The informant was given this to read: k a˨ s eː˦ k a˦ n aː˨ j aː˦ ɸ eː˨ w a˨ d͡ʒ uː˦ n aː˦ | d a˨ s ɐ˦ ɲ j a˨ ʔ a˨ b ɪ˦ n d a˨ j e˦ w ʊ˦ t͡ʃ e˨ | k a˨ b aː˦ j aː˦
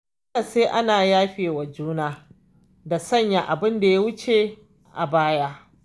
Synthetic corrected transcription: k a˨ s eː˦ ʔ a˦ n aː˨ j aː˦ ɸ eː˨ w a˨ d͡ʒ uː˦ n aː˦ | d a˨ s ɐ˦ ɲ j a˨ ʔ a˨ b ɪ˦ n d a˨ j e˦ w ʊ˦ t͡ʃ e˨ | ʔ a˨ b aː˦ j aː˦